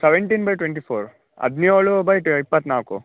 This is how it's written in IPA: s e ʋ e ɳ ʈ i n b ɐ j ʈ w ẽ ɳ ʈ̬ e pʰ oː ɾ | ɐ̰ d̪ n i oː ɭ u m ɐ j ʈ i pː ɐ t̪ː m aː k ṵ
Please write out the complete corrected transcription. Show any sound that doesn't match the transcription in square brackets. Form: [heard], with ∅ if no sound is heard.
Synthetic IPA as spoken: s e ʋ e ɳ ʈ i n b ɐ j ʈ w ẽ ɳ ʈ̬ [i] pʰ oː ɾ | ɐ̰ d̪ n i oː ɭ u [b] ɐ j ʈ i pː ɐ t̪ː [n] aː k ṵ